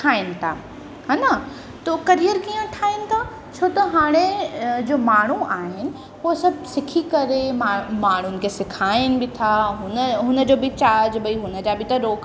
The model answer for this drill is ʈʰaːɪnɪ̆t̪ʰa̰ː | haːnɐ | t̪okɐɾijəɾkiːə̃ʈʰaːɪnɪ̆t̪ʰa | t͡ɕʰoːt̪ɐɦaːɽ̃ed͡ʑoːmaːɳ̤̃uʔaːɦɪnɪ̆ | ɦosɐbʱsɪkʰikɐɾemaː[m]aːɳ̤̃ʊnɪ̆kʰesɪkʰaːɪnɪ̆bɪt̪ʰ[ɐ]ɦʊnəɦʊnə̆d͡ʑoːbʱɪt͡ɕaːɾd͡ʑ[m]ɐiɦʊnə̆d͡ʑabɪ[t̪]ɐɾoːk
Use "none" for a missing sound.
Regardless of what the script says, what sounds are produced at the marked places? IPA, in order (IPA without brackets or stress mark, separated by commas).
m, a, b, t̪